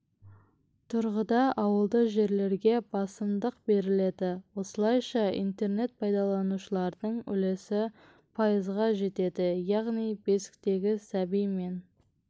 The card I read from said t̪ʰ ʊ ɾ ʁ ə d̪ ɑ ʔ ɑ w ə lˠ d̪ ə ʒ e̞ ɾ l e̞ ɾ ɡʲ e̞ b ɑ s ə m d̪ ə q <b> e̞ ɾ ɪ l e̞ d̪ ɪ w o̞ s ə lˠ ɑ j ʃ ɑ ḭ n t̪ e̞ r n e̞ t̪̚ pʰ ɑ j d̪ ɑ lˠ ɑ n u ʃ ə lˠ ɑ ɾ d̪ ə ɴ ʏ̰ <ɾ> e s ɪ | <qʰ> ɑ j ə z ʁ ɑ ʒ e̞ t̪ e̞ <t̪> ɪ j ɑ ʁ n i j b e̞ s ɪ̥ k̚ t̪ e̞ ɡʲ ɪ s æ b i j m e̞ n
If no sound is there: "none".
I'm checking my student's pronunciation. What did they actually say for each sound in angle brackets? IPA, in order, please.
b, l, pʰ, d̪

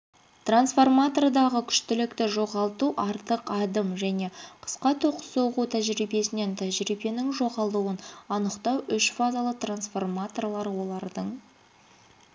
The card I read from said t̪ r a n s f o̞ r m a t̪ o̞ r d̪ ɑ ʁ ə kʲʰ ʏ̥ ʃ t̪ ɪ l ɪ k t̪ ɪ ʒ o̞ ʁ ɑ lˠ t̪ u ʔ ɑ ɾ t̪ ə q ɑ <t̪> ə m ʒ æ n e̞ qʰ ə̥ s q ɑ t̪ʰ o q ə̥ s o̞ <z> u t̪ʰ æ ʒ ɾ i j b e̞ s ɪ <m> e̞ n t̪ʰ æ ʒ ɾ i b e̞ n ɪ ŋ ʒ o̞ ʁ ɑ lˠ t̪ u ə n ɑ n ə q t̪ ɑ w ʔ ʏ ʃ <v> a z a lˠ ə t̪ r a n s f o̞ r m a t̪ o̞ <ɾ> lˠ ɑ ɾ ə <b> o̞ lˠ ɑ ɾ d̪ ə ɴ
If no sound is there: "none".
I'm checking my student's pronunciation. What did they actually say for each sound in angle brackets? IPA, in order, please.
d̪, ʁ, n, f, r, w

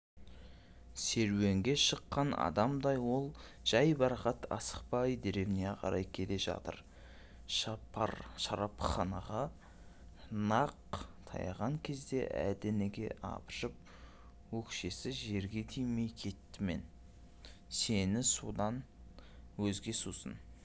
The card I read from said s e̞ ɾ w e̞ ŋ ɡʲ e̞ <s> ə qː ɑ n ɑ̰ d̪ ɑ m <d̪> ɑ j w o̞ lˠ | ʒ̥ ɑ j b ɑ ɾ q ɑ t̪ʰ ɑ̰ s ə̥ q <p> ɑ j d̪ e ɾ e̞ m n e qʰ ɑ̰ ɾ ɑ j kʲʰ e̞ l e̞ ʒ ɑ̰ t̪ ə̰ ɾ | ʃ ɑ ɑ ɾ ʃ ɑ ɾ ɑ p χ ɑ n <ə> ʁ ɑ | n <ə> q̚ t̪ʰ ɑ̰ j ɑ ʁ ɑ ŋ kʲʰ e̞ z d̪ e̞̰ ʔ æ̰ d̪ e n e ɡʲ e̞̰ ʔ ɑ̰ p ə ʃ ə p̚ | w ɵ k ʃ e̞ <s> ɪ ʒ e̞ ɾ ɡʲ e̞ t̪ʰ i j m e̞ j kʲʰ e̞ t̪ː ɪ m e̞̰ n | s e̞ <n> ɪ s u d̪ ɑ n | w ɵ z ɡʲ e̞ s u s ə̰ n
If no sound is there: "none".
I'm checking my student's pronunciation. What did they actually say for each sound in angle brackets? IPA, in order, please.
ʃ, d̪, p, ɑ, ɑ, s, n

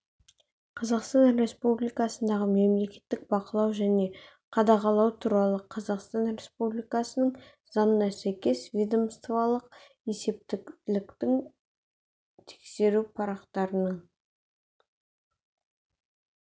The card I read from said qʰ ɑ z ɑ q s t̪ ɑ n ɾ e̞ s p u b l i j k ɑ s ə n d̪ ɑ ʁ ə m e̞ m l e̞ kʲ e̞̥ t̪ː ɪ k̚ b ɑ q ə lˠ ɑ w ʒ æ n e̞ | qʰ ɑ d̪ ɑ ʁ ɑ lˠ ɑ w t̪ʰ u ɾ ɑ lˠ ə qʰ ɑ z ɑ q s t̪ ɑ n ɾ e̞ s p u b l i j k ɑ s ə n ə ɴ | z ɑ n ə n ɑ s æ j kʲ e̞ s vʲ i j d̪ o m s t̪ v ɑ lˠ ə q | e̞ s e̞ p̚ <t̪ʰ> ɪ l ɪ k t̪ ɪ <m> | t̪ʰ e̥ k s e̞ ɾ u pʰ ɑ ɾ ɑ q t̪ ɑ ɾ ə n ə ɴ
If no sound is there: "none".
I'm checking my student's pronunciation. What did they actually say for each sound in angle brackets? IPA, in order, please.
t̪, ŋ

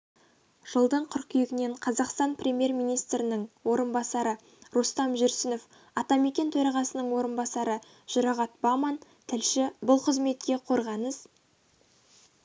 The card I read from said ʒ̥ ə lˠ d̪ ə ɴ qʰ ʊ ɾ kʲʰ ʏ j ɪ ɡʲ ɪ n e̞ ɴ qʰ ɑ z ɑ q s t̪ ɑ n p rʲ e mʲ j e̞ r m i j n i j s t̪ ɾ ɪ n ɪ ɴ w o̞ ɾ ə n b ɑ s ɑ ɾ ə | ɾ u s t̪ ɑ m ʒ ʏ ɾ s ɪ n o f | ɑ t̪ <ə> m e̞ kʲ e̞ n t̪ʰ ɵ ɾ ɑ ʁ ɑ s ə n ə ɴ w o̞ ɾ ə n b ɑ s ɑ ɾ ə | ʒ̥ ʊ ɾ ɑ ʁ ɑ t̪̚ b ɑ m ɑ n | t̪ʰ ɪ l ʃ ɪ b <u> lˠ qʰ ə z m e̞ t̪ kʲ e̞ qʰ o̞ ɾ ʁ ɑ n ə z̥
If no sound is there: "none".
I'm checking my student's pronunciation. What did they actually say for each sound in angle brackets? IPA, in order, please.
ɑ, ʊ

